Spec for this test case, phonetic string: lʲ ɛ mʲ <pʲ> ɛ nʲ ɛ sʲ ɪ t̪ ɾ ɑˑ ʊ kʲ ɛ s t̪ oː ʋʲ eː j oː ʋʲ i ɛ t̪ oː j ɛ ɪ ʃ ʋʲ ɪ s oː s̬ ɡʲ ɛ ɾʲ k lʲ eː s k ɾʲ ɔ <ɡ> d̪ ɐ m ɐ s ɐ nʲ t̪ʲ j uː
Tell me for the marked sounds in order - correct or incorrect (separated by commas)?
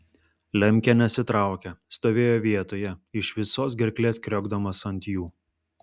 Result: incorrect, correct